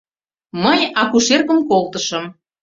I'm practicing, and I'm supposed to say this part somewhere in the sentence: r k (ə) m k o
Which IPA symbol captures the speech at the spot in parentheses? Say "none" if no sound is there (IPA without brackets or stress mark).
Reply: ə